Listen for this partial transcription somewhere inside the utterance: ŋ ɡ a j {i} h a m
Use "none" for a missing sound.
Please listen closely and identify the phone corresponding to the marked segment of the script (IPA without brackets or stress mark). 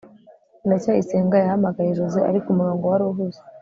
a